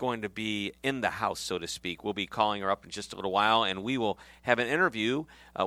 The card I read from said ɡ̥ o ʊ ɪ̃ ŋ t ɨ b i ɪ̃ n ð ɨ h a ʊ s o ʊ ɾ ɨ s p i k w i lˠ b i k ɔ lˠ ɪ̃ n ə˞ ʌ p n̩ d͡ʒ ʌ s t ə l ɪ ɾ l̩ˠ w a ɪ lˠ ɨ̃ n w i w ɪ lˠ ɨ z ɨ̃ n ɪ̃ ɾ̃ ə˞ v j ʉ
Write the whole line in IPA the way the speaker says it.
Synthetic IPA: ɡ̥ o ʊ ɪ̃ ŋ t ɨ b i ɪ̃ n ð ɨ h a ʊ s o ʊ ɾ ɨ s p i k w i lˠ b i kʰ ɔ lˠ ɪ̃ ŋ ə˞ ʌ p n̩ d͡ʒ ʌ s t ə l ɪ ɾ l̩ˠ w a ɪ lˠ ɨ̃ n w i w ɪ lˠ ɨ v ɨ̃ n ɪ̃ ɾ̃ ə˞ v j ʉ